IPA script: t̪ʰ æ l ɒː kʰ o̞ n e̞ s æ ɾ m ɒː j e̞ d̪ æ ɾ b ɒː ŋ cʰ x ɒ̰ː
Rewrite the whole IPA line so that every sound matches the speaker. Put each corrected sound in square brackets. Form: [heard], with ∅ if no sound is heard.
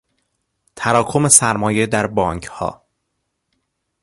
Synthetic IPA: t̪ʰ æ [ɾ] ɒː kʰ o̞ [m] e̞ s æ ɾ m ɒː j e̞ d̪ æ ɾ b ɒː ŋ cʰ [h] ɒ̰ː